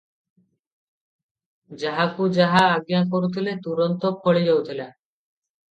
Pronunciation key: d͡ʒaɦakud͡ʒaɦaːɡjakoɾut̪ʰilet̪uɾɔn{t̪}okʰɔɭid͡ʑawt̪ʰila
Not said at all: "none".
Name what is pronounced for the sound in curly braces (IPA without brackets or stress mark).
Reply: t̪